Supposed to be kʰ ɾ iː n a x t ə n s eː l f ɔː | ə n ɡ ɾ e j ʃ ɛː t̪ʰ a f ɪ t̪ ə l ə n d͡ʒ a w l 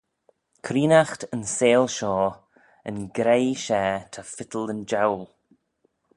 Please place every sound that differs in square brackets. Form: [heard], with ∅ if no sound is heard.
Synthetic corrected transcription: kʰ ɾ iː n a x t ə n s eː l [ʃ] ɔː | ə n ɡ ɾ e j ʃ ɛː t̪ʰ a f ɪ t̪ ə l ə n d͡ʒ a w l